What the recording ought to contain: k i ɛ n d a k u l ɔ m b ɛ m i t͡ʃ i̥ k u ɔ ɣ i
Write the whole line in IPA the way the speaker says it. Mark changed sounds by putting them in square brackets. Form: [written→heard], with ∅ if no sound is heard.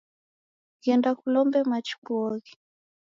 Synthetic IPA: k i ɛ n d a k u l ɔ m b ɛ m [i→a] t͡ʃ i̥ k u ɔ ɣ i